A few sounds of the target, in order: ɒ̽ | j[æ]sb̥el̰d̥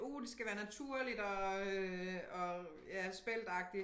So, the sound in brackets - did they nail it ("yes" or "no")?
yes